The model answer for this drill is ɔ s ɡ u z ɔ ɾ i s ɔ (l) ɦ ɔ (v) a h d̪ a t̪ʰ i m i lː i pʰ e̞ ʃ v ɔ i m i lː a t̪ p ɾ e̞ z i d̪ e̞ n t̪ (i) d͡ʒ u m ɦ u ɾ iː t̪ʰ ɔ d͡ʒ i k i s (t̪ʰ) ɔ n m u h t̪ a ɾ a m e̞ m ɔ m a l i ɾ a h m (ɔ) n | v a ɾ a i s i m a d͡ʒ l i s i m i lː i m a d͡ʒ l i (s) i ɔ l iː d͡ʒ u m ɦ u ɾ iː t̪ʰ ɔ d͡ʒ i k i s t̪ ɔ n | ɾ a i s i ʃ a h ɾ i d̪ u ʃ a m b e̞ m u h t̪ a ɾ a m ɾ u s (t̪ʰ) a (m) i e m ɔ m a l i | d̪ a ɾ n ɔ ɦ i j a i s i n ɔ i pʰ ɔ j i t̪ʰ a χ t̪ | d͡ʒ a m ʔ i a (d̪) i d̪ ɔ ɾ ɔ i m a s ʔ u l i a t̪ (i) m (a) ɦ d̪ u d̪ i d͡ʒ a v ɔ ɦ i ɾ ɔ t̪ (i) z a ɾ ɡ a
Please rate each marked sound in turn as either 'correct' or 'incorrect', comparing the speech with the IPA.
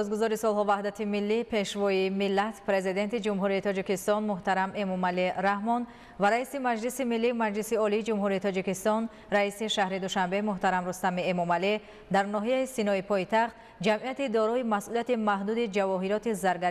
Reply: correct, correct, correct, incorrect: t̪, correct, correct, incorrect: t̪, correct, incorrect: t̪, correct, correct, correct

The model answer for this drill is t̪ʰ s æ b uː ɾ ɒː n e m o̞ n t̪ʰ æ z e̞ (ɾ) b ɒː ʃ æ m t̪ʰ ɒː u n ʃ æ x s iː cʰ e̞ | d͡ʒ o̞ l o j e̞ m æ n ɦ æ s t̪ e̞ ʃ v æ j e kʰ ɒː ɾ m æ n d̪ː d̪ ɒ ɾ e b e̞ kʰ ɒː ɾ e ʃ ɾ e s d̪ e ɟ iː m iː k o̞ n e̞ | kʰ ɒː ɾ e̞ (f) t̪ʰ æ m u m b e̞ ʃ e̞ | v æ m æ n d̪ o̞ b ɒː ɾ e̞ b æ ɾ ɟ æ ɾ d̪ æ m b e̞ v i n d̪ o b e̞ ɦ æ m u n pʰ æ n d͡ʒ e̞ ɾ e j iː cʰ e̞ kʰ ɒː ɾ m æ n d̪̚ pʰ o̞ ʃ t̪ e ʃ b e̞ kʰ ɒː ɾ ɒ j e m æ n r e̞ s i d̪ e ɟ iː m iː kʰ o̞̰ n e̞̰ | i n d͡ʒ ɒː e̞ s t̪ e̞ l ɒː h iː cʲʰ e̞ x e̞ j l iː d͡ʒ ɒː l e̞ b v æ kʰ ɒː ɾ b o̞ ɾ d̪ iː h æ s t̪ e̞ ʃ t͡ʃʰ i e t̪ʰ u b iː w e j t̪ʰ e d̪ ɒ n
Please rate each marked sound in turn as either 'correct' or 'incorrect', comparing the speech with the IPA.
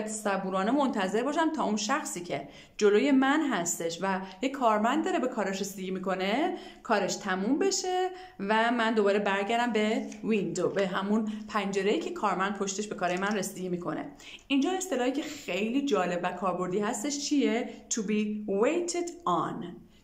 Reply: correct, incorrect: ʃ

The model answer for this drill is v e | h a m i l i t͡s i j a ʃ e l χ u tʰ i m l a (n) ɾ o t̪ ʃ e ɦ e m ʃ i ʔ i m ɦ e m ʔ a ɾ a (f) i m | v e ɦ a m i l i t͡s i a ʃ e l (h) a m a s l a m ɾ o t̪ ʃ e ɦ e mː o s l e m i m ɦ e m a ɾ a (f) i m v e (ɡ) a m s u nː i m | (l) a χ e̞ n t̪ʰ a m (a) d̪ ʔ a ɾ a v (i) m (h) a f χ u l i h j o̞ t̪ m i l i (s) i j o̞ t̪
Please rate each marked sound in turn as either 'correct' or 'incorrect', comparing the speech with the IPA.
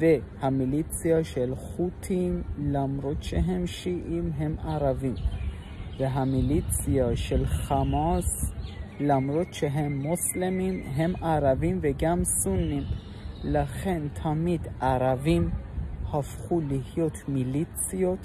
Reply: incorrect: m, incorrect: v, incorrect: χ, incorrect: v, correct, correct, incorrect: i, correct, correct, incorrect: t͡s

